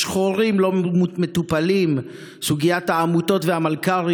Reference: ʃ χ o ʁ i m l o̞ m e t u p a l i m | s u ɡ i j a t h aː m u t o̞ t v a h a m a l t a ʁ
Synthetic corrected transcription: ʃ χ o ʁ i m l o̞ m e t u p a l i m | s u ɡ i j a t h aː m u t o̞ t v e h a m a l k a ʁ